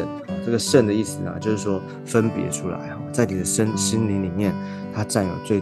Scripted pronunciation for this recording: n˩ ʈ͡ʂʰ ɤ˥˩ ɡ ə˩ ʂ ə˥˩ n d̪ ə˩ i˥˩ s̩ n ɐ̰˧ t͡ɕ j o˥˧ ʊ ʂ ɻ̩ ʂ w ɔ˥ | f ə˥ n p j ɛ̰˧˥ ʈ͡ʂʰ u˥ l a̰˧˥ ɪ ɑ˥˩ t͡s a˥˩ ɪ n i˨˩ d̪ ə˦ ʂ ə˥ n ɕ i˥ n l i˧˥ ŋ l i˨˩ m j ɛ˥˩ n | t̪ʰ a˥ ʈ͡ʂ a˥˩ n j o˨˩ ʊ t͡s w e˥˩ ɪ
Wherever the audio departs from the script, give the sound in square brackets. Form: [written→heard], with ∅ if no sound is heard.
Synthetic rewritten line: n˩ [ʈ͡ʂʰ→ʈ͡ʂ] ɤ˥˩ ɡ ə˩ ʂ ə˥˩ n d̪ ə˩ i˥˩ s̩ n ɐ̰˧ t͡ɕ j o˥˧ ʊ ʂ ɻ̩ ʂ w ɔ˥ | f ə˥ n p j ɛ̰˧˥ ʈ͡ʂʰ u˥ l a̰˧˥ ɪ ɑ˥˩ t͡s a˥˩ ɪ n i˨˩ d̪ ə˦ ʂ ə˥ n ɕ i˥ n l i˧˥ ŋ l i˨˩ m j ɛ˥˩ n | t̪ʰ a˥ ʈ͡ʂ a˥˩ n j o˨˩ ʊ t͡s w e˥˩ ɪ